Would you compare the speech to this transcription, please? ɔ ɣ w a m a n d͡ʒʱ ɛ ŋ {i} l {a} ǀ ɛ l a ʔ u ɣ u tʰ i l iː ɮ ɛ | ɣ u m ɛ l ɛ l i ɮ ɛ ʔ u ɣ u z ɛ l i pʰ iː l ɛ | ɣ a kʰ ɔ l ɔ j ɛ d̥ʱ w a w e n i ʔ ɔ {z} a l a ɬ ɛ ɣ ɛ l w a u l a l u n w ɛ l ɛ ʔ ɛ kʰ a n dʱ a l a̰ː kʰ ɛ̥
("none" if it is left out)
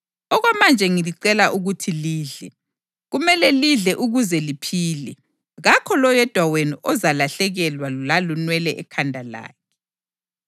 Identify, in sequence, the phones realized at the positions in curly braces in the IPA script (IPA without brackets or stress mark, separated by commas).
i, i, z